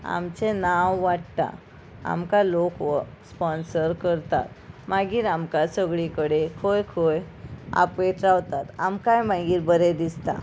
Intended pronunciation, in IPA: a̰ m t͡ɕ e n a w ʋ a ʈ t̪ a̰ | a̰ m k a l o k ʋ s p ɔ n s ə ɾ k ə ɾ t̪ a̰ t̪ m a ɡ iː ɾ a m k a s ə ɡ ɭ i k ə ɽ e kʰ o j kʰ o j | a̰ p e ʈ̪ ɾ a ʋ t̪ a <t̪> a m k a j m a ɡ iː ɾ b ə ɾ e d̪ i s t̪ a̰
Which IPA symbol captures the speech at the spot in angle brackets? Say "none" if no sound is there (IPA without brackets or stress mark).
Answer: t̪